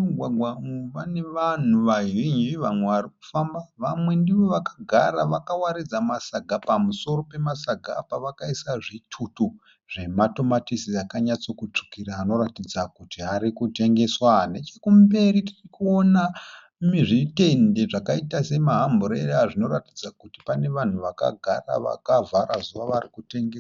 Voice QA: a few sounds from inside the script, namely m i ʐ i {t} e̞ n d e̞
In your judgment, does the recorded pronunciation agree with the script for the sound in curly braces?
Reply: yes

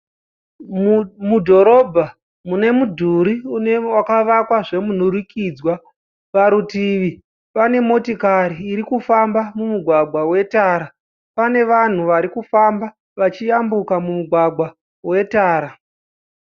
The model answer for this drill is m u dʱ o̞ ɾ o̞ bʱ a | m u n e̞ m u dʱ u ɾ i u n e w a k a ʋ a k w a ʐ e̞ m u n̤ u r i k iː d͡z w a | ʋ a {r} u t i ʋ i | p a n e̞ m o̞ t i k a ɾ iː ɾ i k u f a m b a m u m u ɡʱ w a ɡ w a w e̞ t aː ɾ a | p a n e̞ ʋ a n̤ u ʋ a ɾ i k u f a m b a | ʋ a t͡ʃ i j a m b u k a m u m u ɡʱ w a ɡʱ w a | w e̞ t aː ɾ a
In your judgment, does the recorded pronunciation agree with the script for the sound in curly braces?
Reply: no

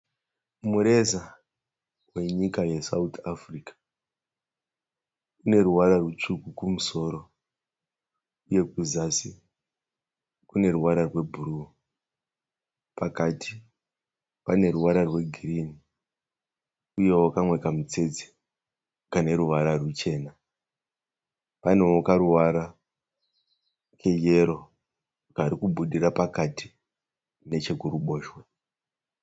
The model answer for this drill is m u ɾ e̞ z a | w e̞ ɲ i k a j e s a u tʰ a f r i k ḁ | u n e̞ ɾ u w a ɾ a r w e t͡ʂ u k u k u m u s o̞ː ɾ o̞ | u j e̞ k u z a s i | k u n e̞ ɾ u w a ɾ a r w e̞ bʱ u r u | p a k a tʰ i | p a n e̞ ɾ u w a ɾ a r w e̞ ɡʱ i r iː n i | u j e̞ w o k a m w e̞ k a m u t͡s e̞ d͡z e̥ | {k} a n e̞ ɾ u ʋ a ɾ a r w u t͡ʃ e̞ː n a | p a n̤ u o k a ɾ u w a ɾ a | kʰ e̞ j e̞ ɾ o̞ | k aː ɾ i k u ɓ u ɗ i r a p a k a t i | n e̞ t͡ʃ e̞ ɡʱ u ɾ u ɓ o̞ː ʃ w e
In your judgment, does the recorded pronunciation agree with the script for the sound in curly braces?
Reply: yes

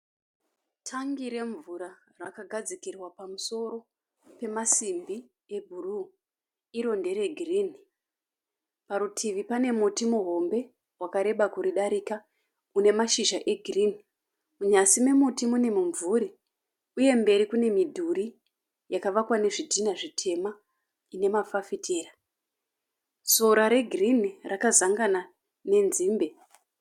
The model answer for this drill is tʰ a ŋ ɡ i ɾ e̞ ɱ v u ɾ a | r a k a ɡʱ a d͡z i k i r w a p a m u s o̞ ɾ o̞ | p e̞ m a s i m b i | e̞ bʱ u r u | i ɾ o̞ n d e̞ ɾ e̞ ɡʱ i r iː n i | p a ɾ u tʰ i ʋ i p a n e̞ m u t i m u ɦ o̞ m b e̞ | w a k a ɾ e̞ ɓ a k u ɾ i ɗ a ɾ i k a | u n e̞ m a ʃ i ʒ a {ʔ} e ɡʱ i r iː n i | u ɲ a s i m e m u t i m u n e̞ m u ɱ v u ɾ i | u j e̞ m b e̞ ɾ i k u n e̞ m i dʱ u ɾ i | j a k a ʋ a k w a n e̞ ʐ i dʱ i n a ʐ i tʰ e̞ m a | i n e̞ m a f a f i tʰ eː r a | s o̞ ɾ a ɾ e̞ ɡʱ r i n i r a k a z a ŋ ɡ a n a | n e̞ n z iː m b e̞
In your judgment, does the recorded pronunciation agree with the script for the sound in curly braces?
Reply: yes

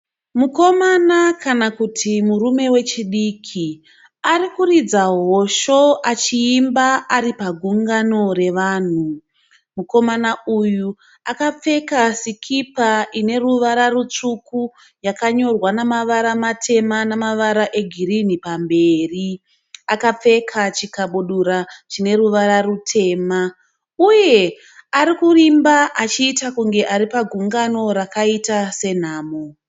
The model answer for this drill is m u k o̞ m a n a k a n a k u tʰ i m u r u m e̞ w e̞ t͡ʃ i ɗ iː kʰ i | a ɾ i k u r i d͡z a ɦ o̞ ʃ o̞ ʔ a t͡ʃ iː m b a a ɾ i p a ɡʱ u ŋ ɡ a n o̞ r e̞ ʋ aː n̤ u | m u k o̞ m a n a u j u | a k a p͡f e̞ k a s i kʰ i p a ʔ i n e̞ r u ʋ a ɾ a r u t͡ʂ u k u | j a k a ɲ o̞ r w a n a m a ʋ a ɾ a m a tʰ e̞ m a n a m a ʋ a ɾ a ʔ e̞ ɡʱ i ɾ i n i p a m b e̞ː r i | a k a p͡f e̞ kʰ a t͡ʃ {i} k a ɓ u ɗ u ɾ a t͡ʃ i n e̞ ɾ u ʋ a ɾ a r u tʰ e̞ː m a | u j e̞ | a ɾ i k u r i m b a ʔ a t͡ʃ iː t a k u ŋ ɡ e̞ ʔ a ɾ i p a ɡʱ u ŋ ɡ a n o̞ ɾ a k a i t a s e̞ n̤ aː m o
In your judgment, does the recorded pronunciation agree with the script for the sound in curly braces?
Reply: yes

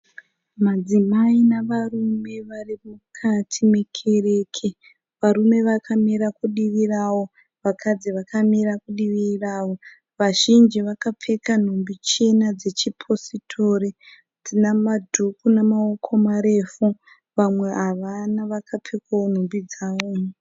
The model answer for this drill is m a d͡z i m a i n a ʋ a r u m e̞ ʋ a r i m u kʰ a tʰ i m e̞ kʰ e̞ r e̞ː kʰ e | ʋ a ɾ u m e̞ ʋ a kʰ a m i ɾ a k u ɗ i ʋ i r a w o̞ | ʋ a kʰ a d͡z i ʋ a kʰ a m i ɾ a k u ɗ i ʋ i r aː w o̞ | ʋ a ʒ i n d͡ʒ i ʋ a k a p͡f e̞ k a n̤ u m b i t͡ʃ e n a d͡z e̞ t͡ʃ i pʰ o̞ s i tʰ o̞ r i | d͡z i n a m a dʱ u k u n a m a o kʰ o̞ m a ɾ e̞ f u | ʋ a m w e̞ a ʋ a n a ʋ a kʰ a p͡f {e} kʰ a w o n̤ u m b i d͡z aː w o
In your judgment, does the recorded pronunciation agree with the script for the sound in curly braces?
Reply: yes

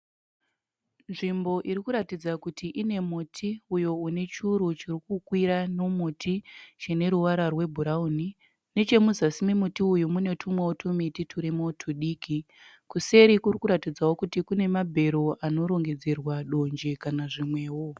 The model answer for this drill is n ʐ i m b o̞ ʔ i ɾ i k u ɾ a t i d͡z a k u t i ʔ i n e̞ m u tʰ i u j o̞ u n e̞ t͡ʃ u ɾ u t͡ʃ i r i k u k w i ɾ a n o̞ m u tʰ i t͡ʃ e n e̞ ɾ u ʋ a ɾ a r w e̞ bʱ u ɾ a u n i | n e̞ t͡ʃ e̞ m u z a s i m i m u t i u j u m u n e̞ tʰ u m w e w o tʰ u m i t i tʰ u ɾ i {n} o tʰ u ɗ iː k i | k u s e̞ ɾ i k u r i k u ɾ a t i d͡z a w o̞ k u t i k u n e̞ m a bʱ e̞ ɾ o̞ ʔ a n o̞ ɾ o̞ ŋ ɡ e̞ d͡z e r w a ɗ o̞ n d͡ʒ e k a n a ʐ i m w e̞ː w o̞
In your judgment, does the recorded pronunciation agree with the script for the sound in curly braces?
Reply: no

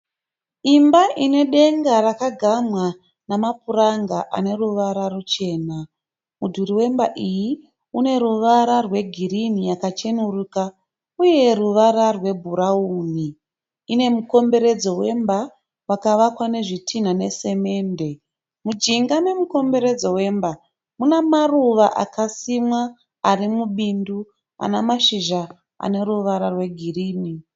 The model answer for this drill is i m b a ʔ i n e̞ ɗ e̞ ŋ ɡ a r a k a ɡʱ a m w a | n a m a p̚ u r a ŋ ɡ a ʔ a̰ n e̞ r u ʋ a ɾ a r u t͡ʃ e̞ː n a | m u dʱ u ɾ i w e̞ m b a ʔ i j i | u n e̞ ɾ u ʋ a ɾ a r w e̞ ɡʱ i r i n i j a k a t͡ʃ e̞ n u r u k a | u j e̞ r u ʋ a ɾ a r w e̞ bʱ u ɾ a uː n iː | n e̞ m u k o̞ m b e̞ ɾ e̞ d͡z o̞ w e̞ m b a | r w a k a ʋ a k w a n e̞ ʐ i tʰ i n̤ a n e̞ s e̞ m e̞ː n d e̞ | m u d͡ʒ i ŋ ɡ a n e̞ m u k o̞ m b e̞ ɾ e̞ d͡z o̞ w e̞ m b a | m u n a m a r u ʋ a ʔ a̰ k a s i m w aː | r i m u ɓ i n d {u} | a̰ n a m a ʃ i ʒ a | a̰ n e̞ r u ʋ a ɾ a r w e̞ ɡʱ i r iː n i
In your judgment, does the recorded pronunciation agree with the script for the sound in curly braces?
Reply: yes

